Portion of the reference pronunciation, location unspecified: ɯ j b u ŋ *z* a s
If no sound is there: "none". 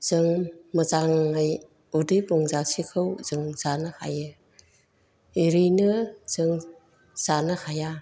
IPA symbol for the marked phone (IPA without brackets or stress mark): z